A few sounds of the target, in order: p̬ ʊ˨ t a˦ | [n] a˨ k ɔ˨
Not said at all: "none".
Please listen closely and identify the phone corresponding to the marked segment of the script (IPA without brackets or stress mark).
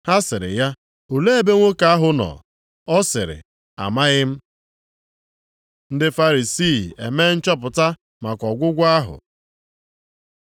m